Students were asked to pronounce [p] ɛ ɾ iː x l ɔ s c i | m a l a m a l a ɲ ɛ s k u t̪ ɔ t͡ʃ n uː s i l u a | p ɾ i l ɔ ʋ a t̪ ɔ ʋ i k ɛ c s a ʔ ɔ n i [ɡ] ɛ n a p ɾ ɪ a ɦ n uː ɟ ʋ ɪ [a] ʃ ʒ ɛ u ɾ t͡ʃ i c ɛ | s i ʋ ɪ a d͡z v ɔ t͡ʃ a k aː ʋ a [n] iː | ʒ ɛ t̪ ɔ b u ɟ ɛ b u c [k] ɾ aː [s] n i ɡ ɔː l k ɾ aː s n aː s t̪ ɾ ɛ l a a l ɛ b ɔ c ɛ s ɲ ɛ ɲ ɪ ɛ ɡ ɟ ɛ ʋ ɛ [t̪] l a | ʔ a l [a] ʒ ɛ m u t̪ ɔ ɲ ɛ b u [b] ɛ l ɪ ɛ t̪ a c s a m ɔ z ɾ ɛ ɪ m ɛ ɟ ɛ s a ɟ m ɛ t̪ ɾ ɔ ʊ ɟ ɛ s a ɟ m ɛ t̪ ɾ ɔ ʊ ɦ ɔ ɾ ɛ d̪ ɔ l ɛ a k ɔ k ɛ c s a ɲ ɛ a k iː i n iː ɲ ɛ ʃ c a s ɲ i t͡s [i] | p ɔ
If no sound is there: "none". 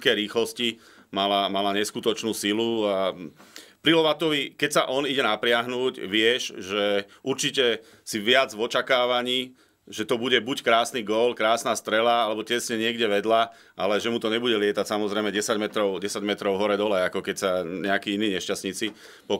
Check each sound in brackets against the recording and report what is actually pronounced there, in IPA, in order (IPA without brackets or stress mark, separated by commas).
k, ɟ, ɛ, ɲ, k, s, d̪, ɛ, ɟ, i